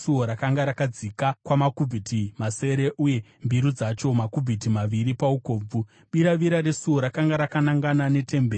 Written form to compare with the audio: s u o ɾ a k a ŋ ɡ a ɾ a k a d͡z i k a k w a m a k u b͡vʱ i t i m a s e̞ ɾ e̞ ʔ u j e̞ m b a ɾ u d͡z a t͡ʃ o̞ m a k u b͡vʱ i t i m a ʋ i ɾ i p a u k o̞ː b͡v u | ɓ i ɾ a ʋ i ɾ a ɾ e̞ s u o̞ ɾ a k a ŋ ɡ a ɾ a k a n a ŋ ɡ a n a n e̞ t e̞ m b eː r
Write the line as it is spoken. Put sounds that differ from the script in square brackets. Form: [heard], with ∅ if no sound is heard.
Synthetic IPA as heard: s u o ɾ a k a ŋ ɡ a ɾ a k a d͡z i k a k w a m a k u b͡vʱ i t i m a s e̞ ɾ e̞ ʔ u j e̞ m b [i] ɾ u d͡z a t͡ʃ o̞ m a k u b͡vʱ i t i m a ʋ i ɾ i p a u k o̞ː b͡v u | ɓ i ɾ a ʋ i ɾ a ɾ e̞ s u o̞ ɾ a k a ŋ ɡ a ɾ a k a n a ŋ ɡ a n a n e̞ t e̞ m b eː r